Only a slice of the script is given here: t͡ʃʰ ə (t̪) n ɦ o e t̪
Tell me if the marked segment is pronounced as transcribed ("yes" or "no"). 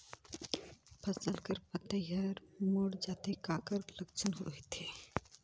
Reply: no